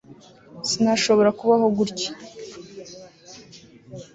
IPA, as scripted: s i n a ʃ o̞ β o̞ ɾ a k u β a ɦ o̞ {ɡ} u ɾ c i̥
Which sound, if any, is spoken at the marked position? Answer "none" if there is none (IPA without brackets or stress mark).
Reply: ɡ